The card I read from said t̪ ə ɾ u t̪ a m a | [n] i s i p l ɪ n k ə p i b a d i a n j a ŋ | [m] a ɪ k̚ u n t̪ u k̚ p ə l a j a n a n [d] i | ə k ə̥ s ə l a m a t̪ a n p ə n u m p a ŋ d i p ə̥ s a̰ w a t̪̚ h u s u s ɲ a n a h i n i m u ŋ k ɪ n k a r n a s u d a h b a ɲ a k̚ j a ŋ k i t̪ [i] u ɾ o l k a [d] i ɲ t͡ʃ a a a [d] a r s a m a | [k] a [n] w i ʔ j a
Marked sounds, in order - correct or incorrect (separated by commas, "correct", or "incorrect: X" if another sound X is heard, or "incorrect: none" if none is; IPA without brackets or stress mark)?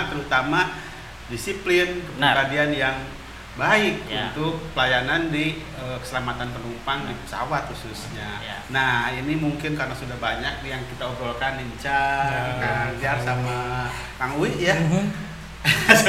incorrect: d, incorrect: b, correct, incorrect: a, incorrect: n, incorrect: d͡ʒ, correct, incorrect: ŋ